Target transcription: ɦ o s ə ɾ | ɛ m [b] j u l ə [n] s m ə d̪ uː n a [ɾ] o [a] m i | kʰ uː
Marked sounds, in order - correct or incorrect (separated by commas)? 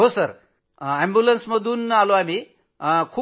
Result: correct, correct, incorrect, correct